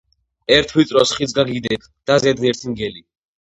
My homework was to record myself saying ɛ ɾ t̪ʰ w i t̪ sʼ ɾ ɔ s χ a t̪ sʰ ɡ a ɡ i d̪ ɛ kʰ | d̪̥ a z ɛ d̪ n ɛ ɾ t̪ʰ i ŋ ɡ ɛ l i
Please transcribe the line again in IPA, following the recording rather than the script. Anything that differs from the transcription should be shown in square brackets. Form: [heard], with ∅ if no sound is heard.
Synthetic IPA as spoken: ɛ ɾ t̪ʰ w i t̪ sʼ ɾ ɔ s χ [i] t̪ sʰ ɡ a ɡ i d̪ ɛ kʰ | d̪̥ a z ɛ d̪ n ɛ ɾ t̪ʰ i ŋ ɡ ɛ l i

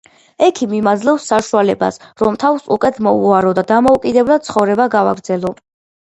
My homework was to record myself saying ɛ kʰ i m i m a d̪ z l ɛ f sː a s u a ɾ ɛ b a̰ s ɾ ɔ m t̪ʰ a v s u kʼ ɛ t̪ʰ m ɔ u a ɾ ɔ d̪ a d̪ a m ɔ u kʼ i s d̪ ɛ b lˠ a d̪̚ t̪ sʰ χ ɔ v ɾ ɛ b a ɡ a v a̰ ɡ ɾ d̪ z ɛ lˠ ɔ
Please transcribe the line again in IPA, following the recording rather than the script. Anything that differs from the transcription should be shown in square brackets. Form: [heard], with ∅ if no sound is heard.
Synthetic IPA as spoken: ɛ kʰ i m i m a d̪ z l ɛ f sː a [ʃ] u a [l] ɛ b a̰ s ɾ ɔ m t̪ʰ a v s u kʼ ɛ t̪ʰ m ɔ u a ɾ ɔ d̪ a d̪ a m ɔ u kʼ i [∅] d̪ ɛ b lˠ a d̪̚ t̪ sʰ χ ɔ v ɾ ɛ b a ɡ a v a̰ ɡ ɾ d̪ z ɛ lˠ ɔ

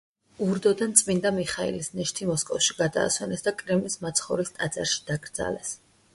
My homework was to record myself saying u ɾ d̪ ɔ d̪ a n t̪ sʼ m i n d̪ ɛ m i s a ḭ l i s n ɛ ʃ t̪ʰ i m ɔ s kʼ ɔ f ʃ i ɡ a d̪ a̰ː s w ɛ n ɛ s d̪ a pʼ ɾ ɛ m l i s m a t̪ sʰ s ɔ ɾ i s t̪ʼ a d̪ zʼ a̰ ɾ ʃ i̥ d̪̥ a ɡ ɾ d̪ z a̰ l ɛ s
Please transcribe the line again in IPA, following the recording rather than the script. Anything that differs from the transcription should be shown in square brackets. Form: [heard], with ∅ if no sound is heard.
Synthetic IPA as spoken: u ɾ d̪ ɔ d̪ a n t̪ sʼ m i n d̪ [a] m i [χ] a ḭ l i s n ɛ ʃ t̪ʰ i m ɔ s kʼ ɔ f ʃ i ɡ a d̪ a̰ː s w ɛ n ɛ s d̪ a [kʼ] ɾ ɛ m l i s m a t̪ sʰ [χ] ɔ ɾ i s t̪ʼ a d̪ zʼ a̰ ɾ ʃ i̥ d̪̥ a ɡ ɾ d̪ z a̰ l ɛ s

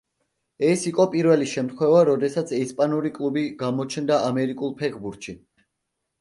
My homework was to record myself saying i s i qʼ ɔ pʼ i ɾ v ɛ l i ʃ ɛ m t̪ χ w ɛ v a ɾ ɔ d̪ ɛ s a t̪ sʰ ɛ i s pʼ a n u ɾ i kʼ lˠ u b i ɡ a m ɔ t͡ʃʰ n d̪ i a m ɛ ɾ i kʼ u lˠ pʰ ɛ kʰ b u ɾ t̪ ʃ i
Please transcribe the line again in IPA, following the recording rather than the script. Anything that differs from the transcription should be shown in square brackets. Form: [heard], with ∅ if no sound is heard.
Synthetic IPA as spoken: [ɛ] s i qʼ ɔ pʼ i ɾ v ɛ l i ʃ ɛ m t̪ χ w ɛ v a ɾ ɔ d̪ ɛ s a t̪ sʰ ɛ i s pʼ a n u ɾ i kʼ lˠ u b i ɡ a m ɔ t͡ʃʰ n d̪ [a] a m ɛ ɾ i kʼ u lˠ pʰ ɛ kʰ b u ɾ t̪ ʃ i

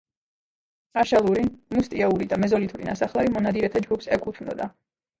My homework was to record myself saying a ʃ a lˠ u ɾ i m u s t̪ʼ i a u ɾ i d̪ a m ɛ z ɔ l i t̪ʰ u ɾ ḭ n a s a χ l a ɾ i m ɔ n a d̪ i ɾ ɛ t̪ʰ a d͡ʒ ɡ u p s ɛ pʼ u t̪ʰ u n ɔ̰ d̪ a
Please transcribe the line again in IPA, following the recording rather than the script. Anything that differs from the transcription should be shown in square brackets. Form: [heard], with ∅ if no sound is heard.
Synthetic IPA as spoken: a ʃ a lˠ u ɾ i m u s t̪ʼ i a u ɾ i d̪ a m ɛ z ɔ l i t̪ʰ u ɾ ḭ n a s a χ l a ɾ i m ɔ n a d̪ i ɾ ɛ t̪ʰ a d͡ʒ ɡ u p s ɛ [kʼ] u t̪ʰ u n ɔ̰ d̪ a

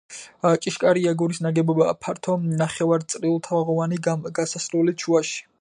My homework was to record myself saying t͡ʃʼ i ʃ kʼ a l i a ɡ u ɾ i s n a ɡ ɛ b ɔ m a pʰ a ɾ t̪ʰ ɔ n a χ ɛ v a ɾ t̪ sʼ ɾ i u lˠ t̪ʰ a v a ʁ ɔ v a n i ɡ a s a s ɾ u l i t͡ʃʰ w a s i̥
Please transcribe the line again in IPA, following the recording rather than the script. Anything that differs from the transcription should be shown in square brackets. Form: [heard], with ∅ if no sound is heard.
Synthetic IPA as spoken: t͡ʃʼ i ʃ kʼ a [ɾ] i a ɡ u ɾ i s n a ɡ ɛ b ɔ [b] a pʰ a ɾ t̪ʰ ɔ n a χ ɛ v a ɾ t̪ sʼ ɾ i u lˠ t̪ʰ a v a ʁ ɔ v a n i ɡ a s a s ɾ u l i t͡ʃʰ [u] a [ʃ] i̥

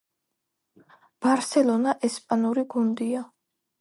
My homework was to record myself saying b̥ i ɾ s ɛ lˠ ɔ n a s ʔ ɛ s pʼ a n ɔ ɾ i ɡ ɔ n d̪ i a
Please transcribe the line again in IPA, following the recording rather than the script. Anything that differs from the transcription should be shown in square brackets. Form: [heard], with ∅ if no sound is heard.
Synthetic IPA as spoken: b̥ [a] ɾ s ɛ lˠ ɔ n a [∅] ʔ ɛ s pʼ a n [u] ɾ i ɡ [u] n d̪ i a

